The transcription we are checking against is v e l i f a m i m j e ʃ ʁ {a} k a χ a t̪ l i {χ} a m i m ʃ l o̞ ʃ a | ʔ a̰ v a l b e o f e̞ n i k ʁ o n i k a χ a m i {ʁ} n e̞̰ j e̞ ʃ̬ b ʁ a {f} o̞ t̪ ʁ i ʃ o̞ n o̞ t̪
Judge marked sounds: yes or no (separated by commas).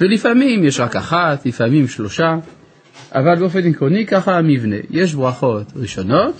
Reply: yes, no, no, no